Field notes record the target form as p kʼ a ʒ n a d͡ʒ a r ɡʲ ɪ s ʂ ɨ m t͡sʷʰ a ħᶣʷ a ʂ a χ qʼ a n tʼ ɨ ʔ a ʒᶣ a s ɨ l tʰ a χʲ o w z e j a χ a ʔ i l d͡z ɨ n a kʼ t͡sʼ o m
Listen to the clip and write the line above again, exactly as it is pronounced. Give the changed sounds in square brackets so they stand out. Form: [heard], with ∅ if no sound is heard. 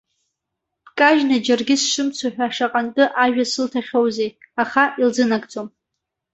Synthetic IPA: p kʼ a ʒ n a d͡ʒ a r ɡʲ ɪ s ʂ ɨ m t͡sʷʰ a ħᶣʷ a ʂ a [∅] qʼ a n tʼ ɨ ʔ a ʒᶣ a s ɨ l tʰ a χʲ o w z e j a χ a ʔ i l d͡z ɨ n a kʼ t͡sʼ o m